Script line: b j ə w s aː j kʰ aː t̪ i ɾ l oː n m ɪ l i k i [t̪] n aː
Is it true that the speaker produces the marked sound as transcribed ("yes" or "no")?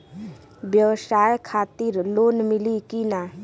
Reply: no